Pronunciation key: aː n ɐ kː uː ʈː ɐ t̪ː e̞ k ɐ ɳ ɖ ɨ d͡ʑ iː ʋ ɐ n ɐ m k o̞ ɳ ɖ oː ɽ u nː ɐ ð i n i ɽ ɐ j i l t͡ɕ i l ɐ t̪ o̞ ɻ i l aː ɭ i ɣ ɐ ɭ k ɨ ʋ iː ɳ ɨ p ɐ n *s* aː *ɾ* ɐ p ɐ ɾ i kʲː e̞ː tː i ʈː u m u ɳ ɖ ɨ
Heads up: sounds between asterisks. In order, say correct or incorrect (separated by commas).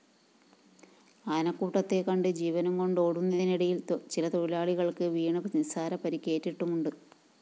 correct, correct